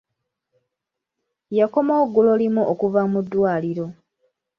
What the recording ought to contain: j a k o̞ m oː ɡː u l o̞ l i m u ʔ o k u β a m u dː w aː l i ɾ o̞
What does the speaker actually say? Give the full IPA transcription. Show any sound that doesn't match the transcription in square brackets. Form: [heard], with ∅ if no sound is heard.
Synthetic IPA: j a k o̞ m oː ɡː u l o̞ l i m u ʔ o k u [v] a m u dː w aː l i ɾ o̞